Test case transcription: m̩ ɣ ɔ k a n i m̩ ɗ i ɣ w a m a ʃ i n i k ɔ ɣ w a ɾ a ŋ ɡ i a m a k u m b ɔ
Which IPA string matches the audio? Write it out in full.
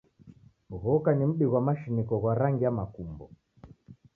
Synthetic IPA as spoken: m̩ ɣ ɔ k a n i m̩ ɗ i ɣ w a m a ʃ i n i k ɔ ɣ w a ɾ a ŋ ɡ i a m a k u m b ɔ